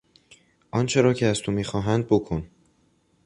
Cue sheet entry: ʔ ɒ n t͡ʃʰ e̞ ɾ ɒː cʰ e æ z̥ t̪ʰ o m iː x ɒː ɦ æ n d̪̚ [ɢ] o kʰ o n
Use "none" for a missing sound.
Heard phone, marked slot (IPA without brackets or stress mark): b